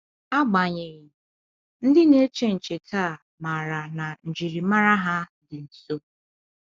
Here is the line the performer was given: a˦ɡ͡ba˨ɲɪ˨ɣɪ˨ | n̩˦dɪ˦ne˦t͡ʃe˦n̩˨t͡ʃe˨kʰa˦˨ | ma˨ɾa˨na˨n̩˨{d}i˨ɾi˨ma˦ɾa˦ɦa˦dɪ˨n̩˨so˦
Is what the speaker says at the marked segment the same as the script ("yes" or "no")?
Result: no